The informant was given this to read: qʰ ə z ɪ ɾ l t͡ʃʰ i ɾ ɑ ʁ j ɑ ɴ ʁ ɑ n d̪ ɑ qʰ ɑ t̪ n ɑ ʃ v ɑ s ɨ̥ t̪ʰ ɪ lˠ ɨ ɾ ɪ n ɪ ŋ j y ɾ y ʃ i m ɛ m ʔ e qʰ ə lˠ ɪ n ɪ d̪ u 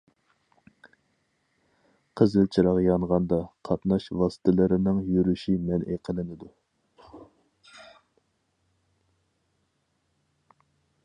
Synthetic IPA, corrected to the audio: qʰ ə z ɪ l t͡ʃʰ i ɾ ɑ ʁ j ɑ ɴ ʁ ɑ n d̪ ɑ qʰ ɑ t̪ n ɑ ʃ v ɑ s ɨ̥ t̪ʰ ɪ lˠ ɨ ɾ ɪ n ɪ ŋ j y ɾ y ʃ i m ɛ n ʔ e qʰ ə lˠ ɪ n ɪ d̪ u